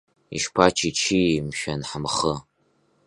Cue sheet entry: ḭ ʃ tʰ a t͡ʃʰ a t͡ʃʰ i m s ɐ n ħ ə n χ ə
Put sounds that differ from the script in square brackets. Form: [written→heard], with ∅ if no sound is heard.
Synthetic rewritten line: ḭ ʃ [tʰ→pʰ] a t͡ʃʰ [a→i] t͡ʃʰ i m [s→ʃ] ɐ n ħ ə [n→m] χ ə